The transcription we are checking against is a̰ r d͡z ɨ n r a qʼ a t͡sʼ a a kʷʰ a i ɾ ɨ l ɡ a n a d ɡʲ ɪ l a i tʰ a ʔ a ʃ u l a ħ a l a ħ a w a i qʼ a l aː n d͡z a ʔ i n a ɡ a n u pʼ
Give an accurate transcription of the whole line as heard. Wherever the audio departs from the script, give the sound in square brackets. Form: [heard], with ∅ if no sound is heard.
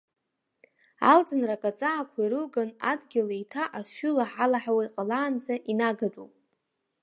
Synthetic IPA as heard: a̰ [l] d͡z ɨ n r a [kʼ] a t͡sʼ a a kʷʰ a i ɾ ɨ l ɡ a n a d ɡʲ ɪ l a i tʰ a ʔ a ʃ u l a ħ a l a ħ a w a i qʼ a l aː n d͡z a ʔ i n a ɡ a [d] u pʼ

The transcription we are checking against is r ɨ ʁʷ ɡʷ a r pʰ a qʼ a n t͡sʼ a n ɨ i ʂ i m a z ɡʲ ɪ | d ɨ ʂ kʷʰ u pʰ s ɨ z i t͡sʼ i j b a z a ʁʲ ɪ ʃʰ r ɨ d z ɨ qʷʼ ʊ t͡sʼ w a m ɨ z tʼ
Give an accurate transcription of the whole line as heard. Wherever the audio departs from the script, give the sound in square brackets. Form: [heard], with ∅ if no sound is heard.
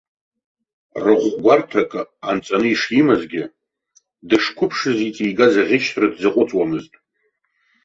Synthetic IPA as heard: r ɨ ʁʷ ɡʷ a r [tʰ] a [kʼ] a n t͡sʼ a n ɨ i ʂ i m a z ɡʲ ɪ | d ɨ ʂ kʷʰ [ʊ] pʰ [ʂ] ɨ z i t͡sʼ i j [ɡ] a z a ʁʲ ɪ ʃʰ r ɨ d z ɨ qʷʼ ʊ t͡sʼ w a m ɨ z tʼ

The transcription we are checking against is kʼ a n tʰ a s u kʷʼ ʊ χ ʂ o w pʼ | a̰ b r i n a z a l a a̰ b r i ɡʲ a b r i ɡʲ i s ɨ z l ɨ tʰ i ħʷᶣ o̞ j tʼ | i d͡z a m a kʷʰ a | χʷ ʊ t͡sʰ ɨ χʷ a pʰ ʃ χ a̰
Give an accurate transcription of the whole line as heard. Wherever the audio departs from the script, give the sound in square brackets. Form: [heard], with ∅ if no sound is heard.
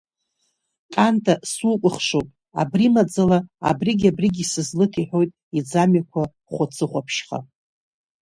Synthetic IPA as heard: kʼ a n tʰ a s u kʷʼ ʊ χ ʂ o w pʼ | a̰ b r i [m] a [d͡z] a l a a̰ b r i ɡʲ a b r i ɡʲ i s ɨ z l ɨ tʰ i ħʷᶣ o̞ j tʼ | i d͡z a m a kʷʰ a | χʷ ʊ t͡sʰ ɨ χʷ a pʰ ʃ χ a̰

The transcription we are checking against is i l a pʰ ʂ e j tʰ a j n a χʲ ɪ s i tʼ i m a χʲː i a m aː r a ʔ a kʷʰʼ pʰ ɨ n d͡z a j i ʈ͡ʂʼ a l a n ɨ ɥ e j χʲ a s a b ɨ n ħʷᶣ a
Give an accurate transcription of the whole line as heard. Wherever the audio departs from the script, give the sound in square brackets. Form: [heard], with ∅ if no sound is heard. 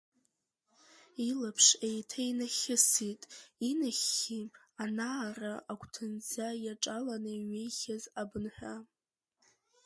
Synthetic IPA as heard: i l a pʰ ʂ e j tʰ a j n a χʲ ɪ s i tʼ i [n] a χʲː i a [n] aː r a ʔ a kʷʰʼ [tʰ] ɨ n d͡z a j [a] ʈ͡ʂʼ a l a n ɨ ɥ e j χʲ a [z] a b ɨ n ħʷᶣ a

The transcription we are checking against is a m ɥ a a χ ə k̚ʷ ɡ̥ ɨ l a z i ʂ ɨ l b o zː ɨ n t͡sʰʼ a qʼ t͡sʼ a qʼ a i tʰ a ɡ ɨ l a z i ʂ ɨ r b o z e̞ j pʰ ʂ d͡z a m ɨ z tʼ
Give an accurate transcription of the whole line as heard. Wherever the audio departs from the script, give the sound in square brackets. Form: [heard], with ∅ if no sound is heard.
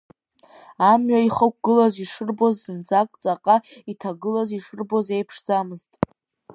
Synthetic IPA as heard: a m ɥ a [i] χ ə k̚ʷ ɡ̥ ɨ l a z i ʂ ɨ [r] b o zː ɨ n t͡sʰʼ a [kʼ] t͡sʼ a qʼ a i tʰ a ɡ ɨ l a z i ʂ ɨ r b o z e̞ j pʰ ʂ d͡z a m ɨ z tʼ

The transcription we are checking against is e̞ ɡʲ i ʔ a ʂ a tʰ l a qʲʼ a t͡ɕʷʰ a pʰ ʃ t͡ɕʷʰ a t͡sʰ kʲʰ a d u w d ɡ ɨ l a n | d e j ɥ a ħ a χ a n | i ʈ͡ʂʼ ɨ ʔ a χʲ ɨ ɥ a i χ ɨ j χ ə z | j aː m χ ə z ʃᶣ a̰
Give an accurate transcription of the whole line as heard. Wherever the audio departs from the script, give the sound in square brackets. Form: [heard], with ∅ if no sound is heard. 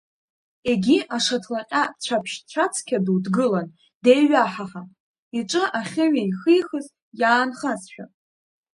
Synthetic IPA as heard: e̞ ɡʲ i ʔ a ʂ a tʰ l a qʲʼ a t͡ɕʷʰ a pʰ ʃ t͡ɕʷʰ a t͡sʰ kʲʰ a d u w d ɡ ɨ l a n | d e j ɥ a ħ a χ a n | i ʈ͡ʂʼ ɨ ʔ a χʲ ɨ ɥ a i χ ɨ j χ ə z | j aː [n] χ [a] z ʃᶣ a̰

